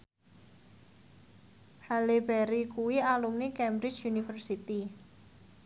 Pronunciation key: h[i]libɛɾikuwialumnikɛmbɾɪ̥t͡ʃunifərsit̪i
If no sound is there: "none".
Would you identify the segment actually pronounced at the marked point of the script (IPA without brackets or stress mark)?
a